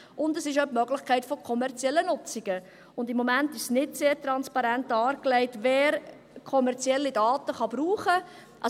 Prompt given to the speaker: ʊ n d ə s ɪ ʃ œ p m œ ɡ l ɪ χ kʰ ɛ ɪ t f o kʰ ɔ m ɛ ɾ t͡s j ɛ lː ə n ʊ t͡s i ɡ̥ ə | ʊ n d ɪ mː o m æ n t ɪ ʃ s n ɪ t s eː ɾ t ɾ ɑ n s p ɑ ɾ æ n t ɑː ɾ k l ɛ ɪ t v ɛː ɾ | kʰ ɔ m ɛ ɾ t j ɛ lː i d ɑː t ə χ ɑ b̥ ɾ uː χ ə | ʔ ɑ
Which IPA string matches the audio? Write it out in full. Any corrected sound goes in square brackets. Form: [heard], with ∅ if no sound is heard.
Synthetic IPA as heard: ʊ n d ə s ɪ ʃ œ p m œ ɡ l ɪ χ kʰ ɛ ɪ t f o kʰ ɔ m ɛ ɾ t͡s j ɛ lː ə n ʊ t͡s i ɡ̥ ə | ʊ n d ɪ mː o m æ n t ɪ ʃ s n ɪ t s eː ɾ t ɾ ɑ n s p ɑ ɾ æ n t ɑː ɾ k l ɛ ɪ t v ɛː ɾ | kʰ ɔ m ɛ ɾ [t͡s] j ɛ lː i d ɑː t ə χ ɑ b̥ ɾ uː χ ə | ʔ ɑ